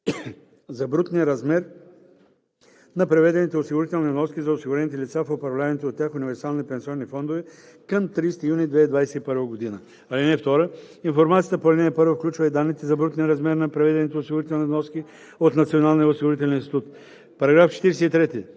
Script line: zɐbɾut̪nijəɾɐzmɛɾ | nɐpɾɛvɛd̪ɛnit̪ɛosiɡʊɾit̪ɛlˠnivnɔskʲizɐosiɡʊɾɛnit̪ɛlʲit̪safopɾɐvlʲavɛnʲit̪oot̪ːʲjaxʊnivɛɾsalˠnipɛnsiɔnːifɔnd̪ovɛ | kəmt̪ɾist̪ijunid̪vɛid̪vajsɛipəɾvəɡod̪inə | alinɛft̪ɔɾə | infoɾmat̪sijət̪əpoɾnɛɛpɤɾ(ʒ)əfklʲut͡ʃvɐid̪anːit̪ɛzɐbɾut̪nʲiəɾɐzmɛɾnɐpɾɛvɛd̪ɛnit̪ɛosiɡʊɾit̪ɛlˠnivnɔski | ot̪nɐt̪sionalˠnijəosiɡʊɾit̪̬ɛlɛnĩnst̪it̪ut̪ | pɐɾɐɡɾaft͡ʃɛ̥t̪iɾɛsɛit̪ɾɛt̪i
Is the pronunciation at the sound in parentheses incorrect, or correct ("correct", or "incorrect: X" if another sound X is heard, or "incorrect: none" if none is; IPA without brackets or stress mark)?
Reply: incorrect: v